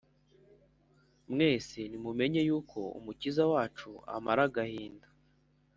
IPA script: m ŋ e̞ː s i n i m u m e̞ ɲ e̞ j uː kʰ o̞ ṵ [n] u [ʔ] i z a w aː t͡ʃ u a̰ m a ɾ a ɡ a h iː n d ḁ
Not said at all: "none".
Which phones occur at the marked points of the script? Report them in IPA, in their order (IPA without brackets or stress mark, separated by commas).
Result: m, c